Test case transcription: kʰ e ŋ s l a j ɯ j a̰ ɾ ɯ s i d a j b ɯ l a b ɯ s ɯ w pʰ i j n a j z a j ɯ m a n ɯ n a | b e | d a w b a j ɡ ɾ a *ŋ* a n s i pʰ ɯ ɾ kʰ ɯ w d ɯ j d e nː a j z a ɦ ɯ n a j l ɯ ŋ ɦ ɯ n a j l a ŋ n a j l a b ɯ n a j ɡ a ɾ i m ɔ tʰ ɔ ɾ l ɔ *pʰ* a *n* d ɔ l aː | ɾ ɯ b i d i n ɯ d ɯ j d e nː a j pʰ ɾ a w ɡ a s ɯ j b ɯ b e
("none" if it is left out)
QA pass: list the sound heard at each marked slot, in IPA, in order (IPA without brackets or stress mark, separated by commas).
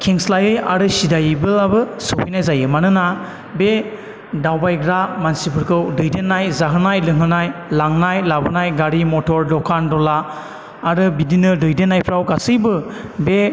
m, kʰ, n